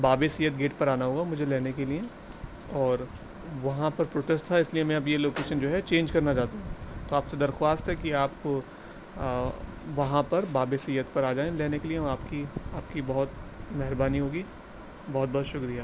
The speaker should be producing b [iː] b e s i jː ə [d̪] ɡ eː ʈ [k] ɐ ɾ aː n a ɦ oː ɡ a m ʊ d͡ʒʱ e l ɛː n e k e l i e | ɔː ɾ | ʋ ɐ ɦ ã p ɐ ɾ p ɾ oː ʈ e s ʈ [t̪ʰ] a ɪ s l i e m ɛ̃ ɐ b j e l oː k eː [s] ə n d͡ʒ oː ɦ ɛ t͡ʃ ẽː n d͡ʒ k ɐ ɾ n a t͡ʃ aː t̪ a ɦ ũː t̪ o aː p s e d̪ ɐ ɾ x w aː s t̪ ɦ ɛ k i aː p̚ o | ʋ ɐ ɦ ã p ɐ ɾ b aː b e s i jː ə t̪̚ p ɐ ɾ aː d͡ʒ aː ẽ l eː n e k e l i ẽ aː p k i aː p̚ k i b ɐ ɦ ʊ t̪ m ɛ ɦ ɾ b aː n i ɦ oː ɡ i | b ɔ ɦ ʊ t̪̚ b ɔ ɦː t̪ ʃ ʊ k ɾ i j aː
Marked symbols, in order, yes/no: no, no, no, yes, no

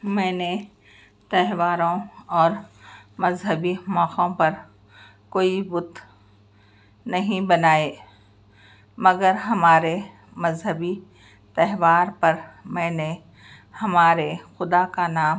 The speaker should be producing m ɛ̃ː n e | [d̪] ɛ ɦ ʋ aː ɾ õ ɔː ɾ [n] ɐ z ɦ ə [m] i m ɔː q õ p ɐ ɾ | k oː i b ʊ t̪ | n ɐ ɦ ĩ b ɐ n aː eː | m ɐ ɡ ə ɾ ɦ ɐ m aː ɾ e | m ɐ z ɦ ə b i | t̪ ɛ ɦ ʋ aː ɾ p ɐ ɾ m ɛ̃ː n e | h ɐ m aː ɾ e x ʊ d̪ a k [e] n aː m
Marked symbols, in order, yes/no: no, no, no, no

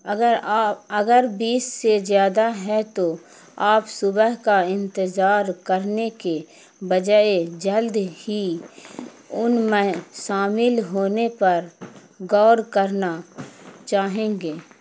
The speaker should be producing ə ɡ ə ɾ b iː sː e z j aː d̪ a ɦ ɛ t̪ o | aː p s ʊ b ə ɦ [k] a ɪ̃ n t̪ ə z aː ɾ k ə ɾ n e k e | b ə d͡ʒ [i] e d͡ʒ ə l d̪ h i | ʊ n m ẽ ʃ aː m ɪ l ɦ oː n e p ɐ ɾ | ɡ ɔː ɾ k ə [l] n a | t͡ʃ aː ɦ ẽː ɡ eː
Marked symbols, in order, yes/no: yes, no, no

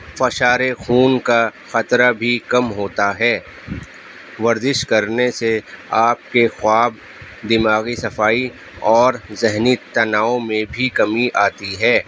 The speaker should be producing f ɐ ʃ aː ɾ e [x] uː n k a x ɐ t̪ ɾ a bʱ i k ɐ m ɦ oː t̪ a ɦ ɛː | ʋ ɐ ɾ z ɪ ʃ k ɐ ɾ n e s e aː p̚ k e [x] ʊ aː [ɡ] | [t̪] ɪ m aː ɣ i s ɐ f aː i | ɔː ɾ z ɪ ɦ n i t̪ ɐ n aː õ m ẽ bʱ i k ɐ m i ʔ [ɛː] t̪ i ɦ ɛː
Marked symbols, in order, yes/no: yes, yes, no, no, no

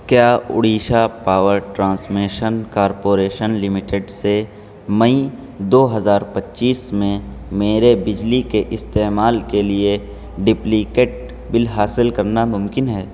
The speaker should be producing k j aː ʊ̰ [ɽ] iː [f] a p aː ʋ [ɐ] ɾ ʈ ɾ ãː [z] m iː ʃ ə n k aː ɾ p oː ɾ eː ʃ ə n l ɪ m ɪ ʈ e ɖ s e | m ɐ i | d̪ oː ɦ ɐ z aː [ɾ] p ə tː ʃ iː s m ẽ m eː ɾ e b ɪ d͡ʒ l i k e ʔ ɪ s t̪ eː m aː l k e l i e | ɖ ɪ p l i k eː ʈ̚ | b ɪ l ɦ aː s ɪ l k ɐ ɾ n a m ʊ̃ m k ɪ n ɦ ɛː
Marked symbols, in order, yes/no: yes, no, no, no, yes

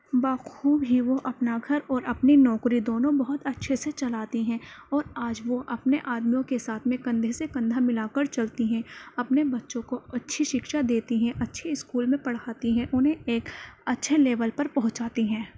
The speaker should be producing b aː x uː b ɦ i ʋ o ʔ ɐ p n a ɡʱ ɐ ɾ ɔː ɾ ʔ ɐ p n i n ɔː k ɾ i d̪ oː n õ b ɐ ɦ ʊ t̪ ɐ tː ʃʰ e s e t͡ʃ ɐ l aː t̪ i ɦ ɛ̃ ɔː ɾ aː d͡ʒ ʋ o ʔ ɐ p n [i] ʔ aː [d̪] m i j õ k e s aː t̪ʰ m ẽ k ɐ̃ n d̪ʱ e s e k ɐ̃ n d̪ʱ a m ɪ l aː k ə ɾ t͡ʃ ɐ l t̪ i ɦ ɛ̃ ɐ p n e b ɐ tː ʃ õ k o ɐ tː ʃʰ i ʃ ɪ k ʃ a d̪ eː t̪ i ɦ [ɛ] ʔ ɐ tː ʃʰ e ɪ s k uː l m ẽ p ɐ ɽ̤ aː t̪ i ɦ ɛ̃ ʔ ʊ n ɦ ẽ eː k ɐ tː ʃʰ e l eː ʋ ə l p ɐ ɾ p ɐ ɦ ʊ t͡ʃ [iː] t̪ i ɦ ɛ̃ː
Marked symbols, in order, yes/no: no, yes, no, no

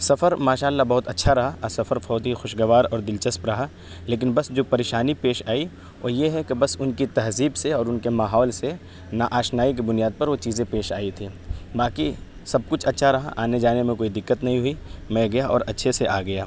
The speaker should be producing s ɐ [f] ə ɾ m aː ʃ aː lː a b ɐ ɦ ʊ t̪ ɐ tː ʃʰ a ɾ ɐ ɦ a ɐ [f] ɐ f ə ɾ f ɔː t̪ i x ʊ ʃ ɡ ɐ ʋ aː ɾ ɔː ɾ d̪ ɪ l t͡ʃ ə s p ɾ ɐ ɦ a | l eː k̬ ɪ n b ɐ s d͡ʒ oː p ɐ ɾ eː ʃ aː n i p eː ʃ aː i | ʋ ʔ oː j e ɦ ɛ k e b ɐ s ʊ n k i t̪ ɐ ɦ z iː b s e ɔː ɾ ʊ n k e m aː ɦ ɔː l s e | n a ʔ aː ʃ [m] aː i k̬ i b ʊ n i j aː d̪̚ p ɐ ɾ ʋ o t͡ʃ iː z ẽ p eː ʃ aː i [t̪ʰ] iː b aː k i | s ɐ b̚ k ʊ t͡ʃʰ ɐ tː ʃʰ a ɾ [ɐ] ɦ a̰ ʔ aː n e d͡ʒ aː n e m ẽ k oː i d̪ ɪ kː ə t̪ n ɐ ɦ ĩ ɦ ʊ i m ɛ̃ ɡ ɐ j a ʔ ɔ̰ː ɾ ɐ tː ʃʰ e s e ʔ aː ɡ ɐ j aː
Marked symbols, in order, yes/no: yes, no, no, yes, yes

